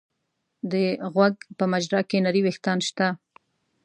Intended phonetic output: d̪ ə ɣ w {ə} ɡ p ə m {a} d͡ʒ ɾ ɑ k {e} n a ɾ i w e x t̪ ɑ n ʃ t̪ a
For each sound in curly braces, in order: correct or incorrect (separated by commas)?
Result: incorrect, correct, correct